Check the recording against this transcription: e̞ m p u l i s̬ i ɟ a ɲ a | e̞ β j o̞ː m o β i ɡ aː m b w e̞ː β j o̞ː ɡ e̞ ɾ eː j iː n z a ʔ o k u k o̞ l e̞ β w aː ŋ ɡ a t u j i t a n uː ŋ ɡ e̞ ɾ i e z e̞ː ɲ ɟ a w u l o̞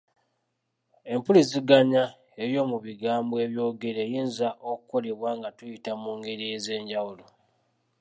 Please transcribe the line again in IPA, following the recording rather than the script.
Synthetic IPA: e̞ m p u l i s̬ i ɡ a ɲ a | e̞ β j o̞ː m u β i ɡ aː m b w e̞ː β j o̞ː ɡ e̞ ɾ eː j iː n z a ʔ o k u k o̞ l e̞ β w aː ŋ ɡ a t u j i t a m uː ŋ ɡ e̞ ɾ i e z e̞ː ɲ ɟ a w u l o̞